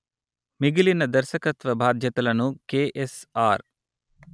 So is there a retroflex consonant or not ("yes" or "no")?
no